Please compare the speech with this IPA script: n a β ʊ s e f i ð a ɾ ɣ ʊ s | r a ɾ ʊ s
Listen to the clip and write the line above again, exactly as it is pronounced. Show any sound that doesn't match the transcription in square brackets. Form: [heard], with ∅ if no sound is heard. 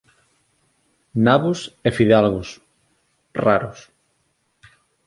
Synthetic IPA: n a β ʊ s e f i ð a [l] ɣ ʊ s | r a ɾ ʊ s